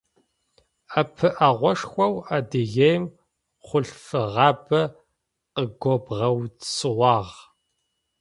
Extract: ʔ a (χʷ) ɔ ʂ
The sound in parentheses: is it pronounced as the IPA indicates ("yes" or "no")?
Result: no